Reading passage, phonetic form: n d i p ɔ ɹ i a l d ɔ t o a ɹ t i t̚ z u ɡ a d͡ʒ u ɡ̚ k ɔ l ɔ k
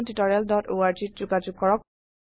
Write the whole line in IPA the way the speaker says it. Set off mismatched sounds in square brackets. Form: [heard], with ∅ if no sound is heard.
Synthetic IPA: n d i [t] ɔ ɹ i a l d ɔ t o a ɹ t i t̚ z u ɡ a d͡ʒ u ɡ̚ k ɔ [ɹ] ɔ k